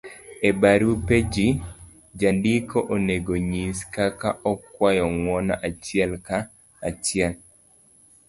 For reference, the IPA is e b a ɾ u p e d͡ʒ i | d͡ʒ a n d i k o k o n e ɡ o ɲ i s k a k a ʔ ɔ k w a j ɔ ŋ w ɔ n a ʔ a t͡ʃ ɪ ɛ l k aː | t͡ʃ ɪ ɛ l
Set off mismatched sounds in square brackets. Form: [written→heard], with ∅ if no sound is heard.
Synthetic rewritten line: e b a ɾ u p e d͡ʒ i | d͡ʒ a n d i k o [k→ʔ] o n e ɡ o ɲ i s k a k a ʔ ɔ k w a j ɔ ŋ w ɔ n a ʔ a t͡ʃ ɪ ɛ l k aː | t͡ʃ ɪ ɛ l